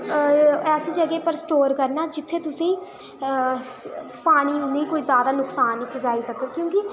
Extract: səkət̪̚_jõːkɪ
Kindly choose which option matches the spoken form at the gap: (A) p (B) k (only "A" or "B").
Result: B